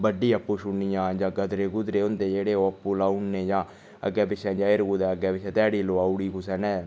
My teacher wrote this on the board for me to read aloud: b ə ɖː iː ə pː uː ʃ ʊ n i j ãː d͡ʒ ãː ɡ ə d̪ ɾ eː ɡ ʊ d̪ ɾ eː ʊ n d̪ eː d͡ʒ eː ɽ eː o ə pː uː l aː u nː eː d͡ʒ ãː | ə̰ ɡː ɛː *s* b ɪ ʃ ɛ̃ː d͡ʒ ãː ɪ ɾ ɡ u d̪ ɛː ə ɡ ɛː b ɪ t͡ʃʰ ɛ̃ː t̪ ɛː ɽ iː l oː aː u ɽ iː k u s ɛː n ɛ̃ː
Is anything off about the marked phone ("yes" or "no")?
yes